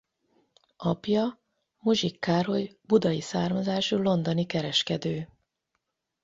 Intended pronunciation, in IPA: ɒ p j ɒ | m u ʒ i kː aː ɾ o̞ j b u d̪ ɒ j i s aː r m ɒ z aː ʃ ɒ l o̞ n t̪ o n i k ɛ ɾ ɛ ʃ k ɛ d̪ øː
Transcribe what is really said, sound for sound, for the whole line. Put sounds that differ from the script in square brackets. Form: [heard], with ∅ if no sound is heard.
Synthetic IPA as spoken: ɒ p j ɒ | m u ʒ i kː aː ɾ o̞ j b u d̪ ɒ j i s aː r m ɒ z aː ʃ [u] l o̞ n [d̪] o n i k ɛ ɾ ɛ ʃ k ɛ d̪ øː

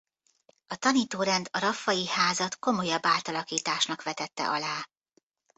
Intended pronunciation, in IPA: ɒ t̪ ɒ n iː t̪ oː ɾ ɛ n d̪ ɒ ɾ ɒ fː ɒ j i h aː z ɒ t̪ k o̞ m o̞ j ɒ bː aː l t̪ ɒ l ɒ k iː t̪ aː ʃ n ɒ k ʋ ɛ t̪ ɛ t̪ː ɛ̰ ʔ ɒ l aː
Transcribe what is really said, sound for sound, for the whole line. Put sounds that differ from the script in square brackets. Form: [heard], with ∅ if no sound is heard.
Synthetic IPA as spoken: ɒ t̪ ɒ n iː t̪ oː ɾ ɛ n d̪ ɒ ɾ ɒ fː ɒ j i h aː z ɒ t̪ k o̞ m o̞ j ɒ bː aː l t̪ ɒ l ɒ k iː t̪ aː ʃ n ɒ k ʋ ɛ t̪ ɛ t̪ː ɛ̰ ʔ ɒ l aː

